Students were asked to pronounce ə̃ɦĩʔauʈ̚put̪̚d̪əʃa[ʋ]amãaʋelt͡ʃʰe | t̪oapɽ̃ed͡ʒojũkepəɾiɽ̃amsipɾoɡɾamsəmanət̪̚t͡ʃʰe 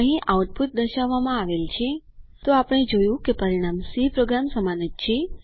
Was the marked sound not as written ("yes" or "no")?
yes